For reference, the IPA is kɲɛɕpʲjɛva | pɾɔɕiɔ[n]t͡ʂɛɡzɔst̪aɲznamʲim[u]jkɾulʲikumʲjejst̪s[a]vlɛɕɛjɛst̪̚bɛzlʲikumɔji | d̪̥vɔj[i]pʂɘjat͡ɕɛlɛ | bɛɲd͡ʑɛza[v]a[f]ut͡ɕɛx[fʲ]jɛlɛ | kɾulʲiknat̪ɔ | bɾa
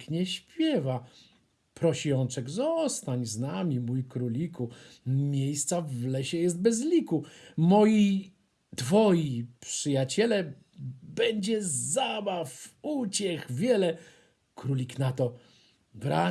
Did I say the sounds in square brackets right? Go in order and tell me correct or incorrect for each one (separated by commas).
correct, correct, correct, correct, incorrect, correct, incorrect